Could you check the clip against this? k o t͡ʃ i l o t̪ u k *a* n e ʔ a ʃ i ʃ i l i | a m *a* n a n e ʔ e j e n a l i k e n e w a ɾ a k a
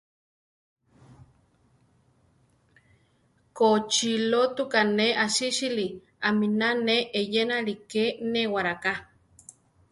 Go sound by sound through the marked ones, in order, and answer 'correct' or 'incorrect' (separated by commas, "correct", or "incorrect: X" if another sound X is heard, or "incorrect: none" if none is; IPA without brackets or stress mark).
correct, incorrect: i